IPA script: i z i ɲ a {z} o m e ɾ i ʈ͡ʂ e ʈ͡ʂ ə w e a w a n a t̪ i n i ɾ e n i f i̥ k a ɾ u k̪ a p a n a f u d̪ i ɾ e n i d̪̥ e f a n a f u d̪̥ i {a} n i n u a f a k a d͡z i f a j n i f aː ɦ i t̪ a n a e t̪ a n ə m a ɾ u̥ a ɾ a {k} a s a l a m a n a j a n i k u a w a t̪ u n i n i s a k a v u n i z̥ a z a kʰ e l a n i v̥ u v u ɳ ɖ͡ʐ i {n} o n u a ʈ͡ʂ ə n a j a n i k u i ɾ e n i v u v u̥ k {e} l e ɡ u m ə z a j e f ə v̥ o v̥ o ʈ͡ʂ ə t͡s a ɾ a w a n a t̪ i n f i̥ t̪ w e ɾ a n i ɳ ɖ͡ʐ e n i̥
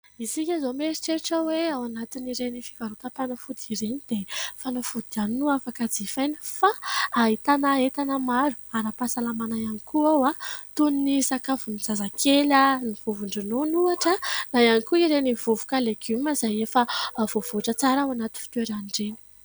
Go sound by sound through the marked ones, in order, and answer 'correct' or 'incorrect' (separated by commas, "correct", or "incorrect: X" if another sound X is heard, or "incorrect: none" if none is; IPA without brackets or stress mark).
correct, correct, incorrect: p, correct, incorrect: a